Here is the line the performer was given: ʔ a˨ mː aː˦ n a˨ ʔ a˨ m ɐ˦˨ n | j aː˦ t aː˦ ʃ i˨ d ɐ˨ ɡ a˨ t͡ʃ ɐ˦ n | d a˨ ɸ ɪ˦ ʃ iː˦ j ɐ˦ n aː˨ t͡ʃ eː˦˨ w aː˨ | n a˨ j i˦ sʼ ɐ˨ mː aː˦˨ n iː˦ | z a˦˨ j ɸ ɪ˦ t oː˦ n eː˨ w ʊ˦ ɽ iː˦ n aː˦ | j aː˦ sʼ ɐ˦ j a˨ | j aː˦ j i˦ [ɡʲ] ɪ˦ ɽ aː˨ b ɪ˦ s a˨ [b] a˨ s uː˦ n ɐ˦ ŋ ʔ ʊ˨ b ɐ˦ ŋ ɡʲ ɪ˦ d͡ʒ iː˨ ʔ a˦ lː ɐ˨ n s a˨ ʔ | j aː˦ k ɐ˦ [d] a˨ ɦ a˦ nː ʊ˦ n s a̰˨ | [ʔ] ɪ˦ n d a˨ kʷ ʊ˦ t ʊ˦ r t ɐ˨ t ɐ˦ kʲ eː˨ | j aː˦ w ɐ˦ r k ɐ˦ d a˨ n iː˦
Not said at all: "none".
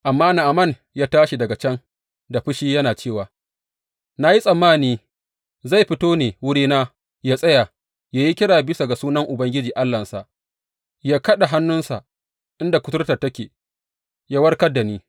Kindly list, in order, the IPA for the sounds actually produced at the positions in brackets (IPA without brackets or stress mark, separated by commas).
kʲ, ɡ, ɗ, ʔ